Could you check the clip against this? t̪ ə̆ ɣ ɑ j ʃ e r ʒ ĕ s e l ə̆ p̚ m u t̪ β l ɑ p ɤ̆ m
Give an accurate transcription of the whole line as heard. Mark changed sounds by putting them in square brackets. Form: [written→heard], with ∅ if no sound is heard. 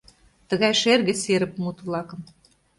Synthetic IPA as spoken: t̪ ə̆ ɣ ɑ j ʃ e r [ʒ→ɣ] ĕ s e [l→ɾ] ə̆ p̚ m u t̪ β l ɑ [p→k] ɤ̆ m